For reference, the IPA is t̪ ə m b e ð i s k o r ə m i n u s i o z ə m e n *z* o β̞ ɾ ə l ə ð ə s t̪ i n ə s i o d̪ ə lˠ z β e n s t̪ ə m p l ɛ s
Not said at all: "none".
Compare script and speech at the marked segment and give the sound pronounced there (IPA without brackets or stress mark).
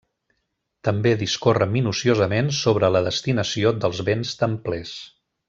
s